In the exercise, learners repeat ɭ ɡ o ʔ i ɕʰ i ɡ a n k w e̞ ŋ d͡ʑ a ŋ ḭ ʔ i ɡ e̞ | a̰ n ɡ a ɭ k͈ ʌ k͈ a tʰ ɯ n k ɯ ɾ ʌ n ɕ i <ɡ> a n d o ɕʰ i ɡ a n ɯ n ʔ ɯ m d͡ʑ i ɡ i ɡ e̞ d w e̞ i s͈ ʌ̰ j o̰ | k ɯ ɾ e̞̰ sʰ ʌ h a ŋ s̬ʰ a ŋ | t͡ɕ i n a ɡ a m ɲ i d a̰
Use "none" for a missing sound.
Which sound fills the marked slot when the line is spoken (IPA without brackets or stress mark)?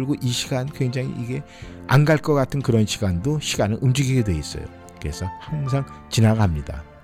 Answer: ɡ